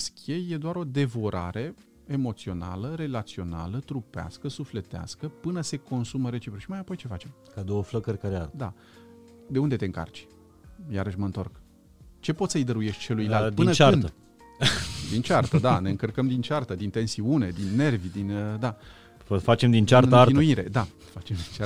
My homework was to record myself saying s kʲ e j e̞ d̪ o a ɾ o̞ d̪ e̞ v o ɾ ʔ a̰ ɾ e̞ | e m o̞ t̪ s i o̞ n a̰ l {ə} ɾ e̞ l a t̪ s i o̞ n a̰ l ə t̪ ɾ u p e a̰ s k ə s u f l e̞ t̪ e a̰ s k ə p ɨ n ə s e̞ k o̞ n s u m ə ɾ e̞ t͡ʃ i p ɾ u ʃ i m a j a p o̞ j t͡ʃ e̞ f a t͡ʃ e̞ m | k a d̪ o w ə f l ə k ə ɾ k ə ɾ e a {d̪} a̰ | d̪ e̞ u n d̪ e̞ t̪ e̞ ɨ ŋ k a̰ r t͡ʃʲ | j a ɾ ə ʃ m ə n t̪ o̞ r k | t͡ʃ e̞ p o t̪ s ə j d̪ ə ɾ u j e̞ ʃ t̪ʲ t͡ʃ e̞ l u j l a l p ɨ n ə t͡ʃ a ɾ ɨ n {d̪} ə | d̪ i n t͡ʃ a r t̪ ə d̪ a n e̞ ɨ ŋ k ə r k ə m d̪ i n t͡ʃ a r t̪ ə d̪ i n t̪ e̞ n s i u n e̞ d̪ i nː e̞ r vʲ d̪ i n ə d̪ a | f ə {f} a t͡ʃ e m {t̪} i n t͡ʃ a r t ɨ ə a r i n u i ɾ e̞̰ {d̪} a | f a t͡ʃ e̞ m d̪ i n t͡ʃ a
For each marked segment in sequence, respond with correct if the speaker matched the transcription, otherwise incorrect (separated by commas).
correct, correct, correct, correct, incorrect, correct